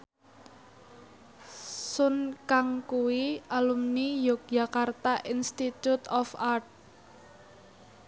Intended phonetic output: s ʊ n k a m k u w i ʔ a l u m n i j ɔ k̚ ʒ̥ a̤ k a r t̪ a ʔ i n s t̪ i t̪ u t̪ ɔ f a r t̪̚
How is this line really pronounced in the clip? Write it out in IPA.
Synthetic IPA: s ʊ n k a ŋ k u w i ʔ a l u m n i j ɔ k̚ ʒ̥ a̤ k a r t̪ a ʔ i n s t̪ i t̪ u t̪ ɔ f a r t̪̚